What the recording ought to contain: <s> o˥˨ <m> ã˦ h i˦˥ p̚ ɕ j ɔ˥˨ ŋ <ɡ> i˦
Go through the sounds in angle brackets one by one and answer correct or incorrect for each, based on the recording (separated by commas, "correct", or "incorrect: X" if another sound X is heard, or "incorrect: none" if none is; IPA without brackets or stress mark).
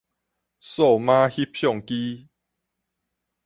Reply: correct, correct, incorrect: k